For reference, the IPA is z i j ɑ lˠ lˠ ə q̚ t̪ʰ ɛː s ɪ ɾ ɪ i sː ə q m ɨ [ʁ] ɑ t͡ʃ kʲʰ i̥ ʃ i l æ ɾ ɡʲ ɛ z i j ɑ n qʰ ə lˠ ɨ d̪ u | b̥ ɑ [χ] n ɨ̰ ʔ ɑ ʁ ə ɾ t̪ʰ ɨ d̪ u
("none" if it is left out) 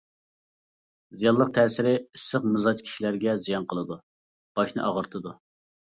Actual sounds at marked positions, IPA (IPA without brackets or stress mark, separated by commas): z, ʃ